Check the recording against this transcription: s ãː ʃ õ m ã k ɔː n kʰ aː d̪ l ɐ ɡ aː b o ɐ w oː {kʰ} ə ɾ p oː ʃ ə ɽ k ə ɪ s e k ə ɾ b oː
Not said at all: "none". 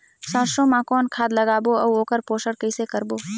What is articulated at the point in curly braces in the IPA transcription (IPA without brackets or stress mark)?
k